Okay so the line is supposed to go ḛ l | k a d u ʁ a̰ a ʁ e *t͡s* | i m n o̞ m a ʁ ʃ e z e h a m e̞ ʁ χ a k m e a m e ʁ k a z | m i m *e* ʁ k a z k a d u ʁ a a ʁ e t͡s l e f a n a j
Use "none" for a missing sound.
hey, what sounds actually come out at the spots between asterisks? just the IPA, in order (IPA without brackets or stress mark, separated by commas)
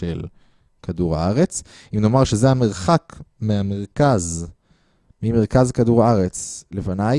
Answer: t͡s, e